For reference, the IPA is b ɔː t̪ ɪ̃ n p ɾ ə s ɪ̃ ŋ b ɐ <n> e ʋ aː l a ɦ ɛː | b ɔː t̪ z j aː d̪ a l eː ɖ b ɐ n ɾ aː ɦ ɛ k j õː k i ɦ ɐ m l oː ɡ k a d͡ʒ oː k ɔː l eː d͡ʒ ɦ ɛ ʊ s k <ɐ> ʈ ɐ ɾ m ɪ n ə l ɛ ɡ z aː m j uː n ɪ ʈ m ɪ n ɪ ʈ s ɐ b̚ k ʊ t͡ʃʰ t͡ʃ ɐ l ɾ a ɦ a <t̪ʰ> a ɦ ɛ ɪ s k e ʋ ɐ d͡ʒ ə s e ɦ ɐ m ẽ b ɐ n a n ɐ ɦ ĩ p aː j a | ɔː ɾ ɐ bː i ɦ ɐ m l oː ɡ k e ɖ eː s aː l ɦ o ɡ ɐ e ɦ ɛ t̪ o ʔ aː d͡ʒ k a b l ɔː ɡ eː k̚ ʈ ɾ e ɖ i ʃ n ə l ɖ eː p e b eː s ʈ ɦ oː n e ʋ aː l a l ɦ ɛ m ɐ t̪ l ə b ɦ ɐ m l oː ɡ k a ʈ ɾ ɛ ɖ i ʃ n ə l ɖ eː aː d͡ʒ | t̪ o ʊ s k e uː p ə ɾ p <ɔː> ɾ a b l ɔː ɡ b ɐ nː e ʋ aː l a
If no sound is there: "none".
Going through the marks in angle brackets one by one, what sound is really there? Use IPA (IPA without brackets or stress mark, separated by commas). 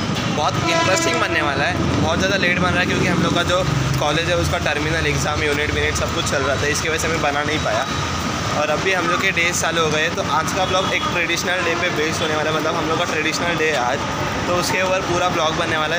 nː, a, t̪, uː